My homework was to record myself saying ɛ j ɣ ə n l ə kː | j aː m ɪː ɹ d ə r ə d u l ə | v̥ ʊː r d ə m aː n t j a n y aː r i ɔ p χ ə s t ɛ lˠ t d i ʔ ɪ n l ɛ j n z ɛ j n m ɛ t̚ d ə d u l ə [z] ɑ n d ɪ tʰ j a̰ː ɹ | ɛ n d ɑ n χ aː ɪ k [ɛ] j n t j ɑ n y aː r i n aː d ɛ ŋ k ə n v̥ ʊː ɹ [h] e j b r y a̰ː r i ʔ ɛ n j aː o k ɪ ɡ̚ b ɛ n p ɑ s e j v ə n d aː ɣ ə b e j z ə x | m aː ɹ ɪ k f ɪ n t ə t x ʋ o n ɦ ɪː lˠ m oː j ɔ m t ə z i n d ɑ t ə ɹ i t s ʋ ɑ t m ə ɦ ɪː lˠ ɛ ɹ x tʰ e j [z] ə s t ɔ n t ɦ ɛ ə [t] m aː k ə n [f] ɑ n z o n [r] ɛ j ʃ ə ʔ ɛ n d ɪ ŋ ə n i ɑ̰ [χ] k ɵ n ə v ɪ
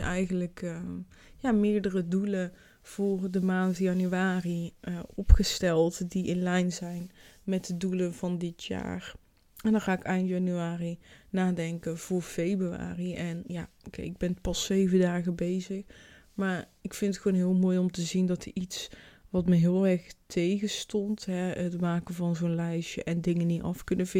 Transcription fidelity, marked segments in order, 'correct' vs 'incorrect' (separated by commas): incorrect, correct, incorrect, incorrect, correct, incorrect, incorrect, incorrect